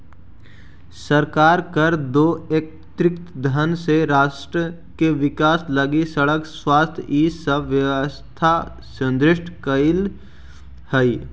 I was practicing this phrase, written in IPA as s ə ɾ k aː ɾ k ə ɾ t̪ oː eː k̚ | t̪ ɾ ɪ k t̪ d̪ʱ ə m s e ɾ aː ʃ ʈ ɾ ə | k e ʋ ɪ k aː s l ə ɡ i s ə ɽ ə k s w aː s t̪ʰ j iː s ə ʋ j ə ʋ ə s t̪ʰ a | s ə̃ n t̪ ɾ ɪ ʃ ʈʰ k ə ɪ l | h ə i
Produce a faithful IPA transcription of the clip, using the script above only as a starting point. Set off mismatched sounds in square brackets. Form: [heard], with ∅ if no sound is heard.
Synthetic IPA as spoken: s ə ɾ k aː ɾ k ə ɾ [d̪] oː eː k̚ | t̪ ɾ ɪ k t̪ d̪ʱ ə [n] s e ɾ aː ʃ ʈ ɾ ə | k e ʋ ɪ k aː s l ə ɡ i s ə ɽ ə k s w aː s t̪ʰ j iː s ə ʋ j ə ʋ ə s t̪ʰ a | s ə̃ n [d̪] ɾ ɪ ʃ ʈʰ k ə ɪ l | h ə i